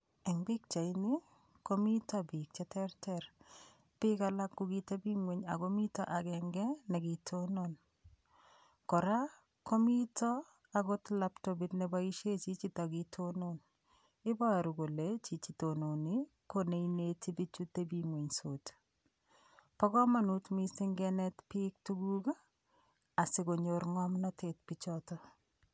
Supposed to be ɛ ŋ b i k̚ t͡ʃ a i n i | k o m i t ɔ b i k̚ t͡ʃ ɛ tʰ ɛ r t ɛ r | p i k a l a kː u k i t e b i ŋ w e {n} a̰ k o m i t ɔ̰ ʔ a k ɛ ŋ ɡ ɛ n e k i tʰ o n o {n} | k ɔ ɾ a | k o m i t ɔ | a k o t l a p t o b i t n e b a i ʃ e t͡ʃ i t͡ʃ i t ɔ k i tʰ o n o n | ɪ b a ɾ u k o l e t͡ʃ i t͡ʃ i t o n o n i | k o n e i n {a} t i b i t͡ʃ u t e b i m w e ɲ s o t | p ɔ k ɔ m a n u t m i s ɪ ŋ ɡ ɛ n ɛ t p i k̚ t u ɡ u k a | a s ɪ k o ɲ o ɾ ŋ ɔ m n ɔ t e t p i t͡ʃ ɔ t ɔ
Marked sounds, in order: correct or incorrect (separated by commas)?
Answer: incorrect, correct, incorrect